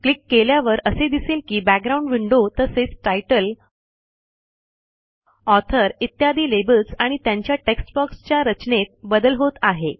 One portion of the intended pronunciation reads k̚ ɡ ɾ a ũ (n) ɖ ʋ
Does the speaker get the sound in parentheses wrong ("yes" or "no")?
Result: yes